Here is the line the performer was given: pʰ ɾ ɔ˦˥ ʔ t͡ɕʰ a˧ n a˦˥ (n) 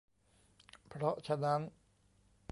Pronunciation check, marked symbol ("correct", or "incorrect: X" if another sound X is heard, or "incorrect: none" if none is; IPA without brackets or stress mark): correct